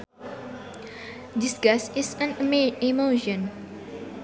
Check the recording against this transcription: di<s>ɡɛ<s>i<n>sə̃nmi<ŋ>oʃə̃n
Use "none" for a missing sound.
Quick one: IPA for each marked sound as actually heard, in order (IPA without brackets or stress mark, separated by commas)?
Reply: s, s, none, m